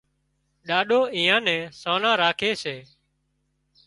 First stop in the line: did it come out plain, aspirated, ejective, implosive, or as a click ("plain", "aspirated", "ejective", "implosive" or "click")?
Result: implosive